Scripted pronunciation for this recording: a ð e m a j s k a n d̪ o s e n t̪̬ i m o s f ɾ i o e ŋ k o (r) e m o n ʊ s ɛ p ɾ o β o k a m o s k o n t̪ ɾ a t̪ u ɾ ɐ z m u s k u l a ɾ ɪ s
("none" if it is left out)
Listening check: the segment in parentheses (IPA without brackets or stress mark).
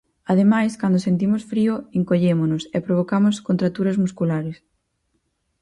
ʎ